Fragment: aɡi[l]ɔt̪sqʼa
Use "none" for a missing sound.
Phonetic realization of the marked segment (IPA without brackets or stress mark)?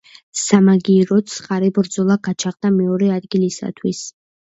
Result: ɾ